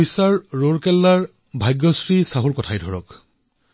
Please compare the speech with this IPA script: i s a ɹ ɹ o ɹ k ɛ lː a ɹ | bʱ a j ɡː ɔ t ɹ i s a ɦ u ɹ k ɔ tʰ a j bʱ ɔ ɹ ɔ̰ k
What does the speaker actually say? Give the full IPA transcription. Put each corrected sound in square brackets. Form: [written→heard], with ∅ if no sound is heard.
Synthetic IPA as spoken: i s a ɹ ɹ o ɹ k ɛ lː a ɹ | bʱ a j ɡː ɔ [t→s] ɹ i s a ɦ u ɹ k ɔ tʰ a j [bʱ→dʱ] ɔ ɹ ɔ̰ k

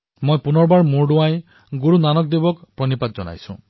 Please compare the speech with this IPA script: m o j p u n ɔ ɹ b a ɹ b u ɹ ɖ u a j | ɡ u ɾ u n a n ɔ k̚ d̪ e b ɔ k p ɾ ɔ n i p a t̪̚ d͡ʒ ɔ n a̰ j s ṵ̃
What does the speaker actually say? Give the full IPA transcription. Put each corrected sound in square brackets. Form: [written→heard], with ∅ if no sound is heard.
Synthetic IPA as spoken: m o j p u n ɔ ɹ b a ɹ [b→m] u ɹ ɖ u a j | ɡ u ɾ u n a n ɔ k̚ d̪ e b ɔ k p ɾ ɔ n i p a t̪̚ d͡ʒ ɔ n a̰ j s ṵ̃

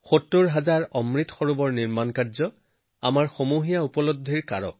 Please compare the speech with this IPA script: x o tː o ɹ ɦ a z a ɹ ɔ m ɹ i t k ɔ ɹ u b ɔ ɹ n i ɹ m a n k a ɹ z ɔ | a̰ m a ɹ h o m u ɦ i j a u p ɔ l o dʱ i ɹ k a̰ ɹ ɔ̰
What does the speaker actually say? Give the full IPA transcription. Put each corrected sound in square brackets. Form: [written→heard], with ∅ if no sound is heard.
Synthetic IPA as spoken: x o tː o ɹ ɦ a z a ɹ ɔ m ɹ i t [k→x] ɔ ɹ u b ɔ ɹ n i ɹ m a n k a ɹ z ɔ | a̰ m a ɹ [h→x] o m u ɦ i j a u p ɔ l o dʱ i ɹ k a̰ ɹ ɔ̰

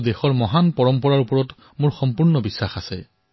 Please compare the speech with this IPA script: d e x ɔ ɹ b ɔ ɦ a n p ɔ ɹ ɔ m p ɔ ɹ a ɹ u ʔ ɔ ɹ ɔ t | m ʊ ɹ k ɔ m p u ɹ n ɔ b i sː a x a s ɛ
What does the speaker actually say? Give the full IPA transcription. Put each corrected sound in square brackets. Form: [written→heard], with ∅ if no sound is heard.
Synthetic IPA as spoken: d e x ɔ ɹ [b→m] ɔ ɦ a n p ɔ ɹ ɔ m p ɔ ɹ a ɹ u [ʔ→p] ɔ ɹ ɔ t | m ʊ ɹ [k→x] ɔ m p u ɹ n ɔ b i sː a x a s ɛ

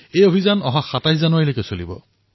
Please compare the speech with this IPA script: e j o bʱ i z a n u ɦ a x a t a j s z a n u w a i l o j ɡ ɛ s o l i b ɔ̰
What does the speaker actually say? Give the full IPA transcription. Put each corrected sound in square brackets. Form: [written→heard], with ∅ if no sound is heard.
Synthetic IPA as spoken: e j o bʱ i z a n [u→ɔ] ɦ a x a t a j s z a n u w a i l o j [ɡ→k] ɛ s o l i b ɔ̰

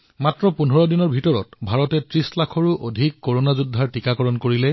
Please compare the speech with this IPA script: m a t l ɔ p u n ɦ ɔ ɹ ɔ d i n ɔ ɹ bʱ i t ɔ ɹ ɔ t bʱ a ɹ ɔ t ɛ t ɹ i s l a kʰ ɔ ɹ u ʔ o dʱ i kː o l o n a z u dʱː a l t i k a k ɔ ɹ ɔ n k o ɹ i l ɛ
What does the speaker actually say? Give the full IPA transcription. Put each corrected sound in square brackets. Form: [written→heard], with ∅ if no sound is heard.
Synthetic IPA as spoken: m a t [l→ɹ] ɔ p u n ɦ ɔ ɹ ɔ d i n ɔ ɹ bʱ i t ɔ ɹ ɔ t bʱ a ɹ ɔ t ɛ t ɹ i s l a kʰ ɔ ɹ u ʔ o dʱ i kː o [l→ɹ] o n a z u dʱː a [l→ɹ] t i k a k ɔ ɹ ɔ n k o ɹ i l ɛ

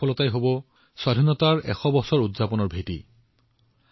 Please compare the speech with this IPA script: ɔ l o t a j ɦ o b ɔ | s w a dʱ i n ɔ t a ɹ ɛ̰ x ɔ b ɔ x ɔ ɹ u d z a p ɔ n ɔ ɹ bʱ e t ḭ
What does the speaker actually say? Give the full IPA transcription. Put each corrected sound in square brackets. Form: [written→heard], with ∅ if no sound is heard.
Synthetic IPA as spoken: ɔ l [o→ɔ] t a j ɦ o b ɔ | s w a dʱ i n ɔ t a ɹ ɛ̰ x ɔ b ɔ [x→s] ɔ ɹ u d z a p ɔ n ɔ ɹ bʱ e t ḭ

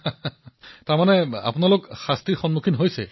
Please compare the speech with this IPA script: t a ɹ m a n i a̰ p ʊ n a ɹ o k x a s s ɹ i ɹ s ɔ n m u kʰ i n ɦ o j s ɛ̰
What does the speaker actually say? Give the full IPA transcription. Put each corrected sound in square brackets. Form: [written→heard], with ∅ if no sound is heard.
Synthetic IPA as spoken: t a ɹ m a n [i→ɛ] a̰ p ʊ n a [ɹ→l] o k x a s [s→t] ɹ i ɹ [s→x] ɔ n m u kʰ i n ɦ o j s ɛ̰

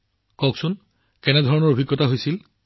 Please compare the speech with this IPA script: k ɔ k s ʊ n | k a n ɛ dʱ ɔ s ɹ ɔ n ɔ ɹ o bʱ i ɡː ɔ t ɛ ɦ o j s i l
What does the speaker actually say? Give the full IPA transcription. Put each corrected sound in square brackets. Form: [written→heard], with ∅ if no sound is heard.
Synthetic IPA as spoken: k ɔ k s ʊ n | k [a→ɛ] n ɛ dʱ ɔ [s→∅] ɹ ɔ n ɔ ɹ o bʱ i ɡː ɔ t [ɛ→a] ɦ o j s i l

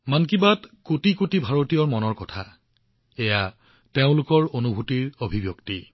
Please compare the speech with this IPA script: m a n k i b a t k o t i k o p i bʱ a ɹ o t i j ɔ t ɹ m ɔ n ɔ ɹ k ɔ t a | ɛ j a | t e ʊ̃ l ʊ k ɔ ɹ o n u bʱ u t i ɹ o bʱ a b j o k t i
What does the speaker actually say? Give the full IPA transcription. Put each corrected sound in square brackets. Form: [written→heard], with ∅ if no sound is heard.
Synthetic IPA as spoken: m a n k i b a t k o t i k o [p→t] i bʱ a ɹ o t i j ɔ [t→∅] ɹ m ɔ n ɔ ɹ k ɔ [t→tʰ] a | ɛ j a | t e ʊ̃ l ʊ k ɔ ɹ o n u bʱ u t i ɹ o bʱ [a→i] b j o k t i

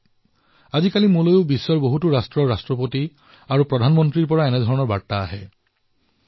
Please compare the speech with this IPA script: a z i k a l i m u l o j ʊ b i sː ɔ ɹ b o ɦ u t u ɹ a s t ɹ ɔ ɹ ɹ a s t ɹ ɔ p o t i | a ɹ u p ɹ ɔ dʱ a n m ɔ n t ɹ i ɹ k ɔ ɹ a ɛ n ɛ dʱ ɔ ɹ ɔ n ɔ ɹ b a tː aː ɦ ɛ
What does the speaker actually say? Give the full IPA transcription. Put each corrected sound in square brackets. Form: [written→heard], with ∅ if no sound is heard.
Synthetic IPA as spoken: a z i k a l i m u l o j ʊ b i sː ɔ ɹ b o ɦ u t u ɹ a s t ɹ ɔ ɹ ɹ a s t ɹ ɔ p o t i | a ɹ u p ɹ ɔ dʱ a n m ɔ n t ɹ i ɹ [k→p] ɔ ɹ a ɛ n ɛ dʱ ɔ ɹ ɔ n ɔ ɹ b a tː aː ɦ ɛ

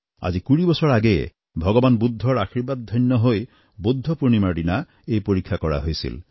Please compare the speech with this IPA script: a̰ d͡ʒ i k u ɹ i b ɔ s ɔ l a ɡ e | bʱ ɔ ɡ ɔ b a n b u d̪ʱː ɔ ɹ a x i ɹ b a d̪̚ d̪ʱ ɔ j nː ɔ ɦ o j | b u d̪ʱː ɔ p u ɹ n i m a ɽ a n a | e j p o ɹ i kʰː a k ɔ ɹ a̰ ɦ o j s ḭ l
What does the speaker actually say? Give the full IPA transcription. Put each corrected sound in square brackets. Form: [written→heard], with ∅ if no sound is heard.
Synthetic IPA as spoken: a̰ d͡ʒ i k u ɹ i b ɔ s ɔ [l→ɹ] a ɡ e | bʱ ɔ ɡ ɔ b a n b u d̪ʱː ɔ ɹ a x i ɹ b a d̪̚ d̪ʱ ɔ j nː ɔ ɦ o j | b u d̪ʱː ɔ p u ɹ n i m a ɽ [a→i] n a | e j p o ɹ i kʰː a k ɔ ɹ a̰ ɦ o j s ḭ l

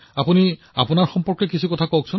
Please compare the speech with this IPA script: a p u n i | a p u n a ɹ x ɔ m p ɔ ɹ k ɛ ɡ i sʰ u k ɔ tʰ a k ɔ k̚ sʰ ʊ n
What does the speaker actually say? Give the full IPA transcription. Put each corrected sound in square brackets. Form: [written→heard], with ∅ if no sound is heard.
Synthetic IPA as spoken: a p u n i | a p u n a ɹ x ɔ m p ɔ ɹ k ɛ [ɡ→k] i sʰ u k ɔ tʰ a k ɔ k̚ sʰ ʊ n

